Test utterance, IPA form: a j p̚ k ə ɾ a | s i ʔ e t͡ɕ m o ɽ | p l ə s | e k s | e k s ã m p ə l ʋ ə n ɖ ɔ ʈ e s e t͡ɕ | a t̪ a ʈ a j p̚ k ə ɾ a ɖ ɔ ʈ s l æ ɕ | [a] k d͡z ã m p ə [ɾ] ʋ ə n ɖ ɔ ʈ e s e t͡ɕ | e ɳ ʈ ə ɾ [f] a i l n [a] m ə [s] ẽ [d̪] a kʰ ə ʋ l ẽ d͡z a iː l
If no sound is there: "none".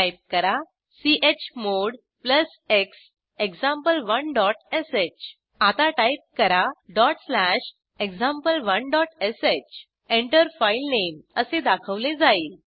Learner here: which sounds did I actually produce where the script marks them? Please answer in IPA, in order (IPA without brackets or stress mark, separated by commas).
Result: e, l, f, e, s, d̪